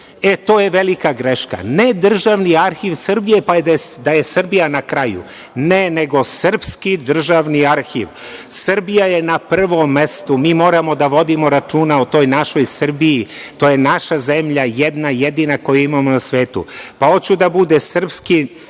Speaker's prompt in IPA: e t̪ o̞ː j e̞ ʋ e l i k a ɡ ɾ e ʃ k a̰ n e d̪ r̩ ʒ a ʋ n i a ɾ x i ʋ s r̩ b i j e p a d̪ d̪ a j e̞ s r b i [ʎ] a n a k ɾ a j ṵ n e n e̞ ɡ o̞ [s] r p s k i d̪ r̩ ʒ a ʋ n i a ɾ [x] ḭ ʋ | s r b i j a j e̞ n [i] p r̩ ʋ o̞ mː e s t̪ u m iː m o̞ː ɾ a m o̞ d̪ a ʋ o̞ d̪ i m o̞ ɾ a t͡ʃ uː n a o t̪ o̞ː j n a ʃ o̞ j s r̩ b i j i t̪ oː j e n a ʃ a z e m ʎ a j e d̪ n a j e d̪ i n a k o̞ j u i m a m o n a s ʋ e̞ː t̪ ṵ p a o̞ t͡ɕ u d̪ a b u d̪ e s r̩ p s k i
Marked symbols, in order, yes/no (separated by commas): no, yes, yes, no